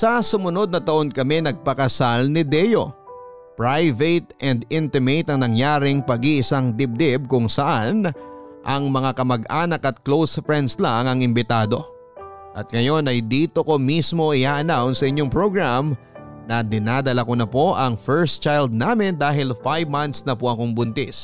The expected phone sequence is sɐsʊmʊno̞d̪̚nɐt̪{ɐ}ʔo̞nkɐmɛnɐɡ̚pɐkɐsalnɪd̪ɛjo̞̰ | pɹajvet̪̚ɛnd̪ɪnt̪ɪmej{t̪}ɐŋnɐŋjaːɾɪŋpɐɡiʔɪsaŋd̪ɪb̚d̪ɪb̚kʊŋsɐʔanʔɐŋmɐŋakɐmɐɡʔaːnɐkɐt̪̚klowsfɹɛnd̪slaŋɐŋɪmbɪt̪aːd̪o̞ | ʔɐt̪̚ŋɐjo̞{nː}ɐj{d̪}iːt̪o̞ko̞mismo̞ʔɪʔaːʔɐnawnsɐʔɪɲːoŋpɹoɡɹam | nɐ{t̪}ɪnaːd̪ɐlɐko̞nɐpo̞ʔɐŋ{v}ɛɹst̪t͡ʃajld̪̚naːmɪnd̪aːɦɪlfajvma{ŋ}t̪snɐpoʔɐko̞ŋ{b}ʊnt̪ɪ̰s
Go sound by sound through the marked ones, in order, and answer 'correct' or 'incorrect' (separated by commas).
correct, correct, incorrect, correct, incorrect, incorrect, incorrect, correct